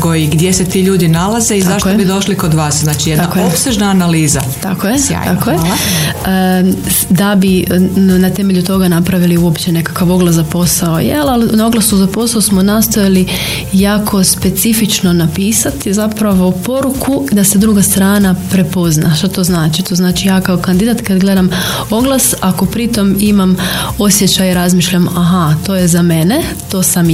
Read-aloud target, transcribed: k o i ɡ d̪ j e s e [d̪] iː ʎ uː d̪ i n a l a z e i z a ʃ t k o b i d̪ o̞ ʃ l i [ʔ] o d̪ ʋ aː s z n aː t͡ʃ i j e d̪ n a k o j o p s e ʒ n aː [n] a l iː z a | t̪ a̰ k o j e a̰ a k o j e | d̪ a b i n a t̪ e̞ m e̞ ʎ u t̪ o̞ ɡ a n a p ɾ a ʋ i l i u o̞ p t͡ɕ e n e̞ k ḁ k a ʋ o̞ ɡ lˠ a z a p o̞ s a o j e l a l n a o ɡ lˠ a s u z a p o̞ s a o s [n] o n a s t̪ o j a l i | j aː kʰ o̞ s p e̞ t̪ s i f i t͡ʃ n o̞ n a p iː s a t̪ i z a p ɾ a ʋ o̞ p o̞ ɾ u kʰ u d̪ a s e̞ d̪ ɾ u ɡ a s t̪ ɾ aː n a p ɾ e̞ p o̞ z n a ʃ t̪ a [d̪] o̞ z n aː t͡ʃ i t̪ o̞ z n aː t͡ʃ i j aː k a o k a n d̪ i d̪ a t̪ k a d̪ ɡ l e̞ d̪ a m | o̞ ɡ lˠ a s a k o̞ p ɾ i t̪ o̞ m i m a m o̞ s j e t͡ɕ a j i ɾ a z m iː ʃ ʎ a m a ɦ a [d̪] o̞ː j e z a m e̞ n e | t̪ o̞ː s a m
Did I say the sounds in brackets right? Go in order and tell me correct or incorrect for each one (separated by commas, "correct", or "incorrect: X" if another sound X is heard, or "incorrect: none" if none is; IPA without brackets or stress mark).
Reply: incorrect: t̪, incorrect: k, correct, incorrect: m, incorrect: t̪, incorrect: t̪